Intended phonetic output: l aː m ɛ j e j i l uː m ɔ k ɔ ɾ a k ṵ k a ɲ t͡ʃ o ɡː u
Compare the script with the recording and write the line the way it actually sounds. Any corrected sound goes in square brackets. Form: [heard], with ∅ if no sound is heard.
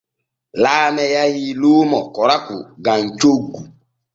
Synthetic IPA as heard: l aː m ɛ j [a] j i l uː m ɔ k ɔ ɾ a k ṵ [ɡ] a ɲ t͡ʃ o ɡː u